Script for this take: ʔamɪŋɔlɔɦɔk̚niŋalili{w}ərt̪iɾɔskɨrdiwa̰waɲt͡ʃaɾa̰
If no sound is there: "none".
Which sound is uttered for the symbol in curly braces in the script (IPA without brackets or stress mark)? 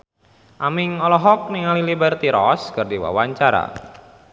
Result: b